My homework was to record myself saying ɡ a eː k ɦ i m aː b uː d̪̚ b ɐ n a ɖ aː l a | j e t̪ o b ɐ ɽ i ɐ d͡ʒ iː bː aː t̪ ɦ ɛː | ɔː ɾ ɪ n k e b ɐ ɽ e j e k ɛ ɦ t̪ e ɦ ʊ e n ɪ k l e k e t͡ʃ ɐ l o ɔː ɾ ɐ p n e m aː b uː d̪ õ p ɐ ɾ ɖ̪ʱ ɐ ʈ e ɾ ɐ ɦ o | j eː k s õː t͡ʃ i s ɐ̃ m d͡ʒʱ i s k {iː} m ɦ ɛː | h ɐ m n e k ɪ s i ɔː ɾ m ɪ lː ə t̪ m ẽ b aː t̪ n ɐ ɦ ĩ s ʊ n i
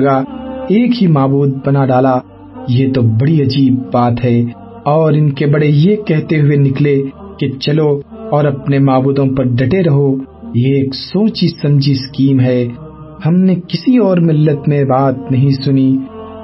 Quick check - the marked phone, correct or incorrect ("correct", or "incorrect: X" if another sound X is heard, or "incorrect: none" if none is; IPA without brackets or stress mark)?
correct